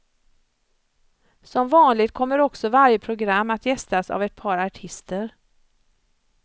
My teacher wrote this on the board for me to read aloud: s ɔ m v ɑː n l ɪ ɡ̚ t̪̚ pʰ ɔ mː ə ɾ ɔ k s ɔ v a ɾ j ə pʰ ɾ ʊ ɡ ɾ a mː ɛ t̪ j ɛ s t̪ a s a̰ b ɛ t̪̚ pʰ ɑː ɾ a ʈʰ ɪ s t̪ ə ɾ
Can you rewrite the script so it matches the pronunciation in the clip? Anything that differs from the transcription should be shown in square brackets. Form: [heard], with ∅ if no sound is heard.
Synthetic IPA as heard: s ɔ m v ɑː n l ɪ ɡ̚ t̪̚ [kʰ] ɔ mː ə ɾ ɔ k s ɔ v a ɾ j ə pʰ ɾ ʊ ɡ ɾ a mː [a] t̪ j ɛ s t̪ a s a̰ [v] ɛ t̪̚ pʰ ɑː ɾ a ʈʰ ɪ s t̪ ə ɾ